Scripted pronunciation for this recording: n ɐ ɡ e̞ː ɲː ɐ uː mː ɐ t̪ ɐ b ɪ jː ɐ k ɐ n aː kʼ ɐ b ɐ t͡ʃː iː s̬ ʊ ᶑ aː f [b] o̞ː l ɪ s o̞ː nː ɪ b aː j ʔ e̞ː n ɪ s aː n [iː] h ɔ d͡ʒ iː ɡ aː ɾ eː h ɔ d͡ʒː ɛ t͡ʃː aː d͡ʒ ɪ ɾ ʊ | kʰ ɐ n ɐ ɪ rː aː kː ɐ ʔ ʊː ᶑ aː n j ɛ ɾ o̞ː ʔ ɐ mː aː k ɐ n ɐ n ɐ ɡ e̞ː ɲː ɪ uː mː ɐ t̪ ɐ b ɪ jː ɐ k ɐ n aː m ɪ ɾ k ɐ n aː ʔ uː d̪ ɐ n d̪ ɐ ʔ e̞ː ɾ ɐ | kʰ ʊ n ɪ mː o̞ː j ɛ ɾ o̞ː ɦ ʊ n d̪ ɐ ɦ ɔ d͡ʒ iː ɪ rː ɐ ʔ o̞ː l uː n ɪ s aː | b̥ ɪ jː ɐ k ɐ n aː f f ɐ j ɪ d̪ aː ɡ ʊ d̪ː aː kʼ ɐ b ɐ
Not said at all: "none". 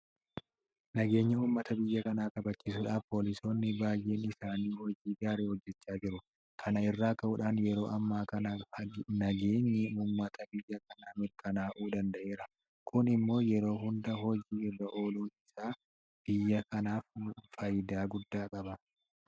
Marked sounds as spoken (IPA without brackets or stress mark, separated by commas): p, iː